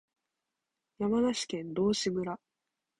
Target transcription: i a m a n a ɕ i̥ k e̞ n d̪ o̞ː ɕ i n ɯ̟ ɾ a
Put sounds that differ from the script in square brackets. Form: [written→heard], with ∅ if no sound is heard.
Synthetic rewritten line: [i→j] a m a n a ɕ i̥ k [e̞→ẽ̞] n d̪ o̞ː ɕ i [n→m] ɯ̟ ɾ a